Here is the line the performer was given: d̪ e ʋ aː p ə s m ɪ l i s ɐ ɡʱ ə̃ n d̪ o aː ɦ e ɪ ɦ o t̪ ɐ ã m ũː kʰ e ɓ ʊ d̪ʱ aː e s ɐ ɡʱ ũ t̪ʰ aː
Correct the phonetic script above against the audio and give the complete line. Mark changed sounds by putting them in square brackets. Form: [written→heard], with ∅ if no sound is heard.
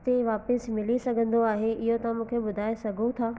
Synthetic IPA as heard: [d̪→t̪] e ʋ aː p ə s m ɪ l i s ɐ ɡʱ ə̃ n d̪ o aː ɦ e ɪ ɦ o t̪ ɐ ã m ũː kʰ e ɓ ʊ d̪ʱ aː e s ɐ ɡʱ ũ t̪ʰ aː